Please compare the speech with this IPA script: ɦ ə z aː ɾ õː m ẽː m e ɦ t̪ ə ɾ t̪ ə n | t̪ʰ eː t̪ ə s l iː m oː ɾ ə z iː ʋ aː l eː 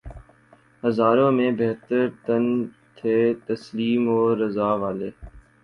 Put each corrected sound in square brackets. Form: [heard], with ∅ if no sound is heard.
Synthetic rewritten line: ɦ ə z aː ɾ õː m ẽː [b] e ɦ t̪ ə ɾ t̪ ə n | t̪ʰ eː t̪ ə s l iː m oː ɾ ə z [aː] ʋ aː l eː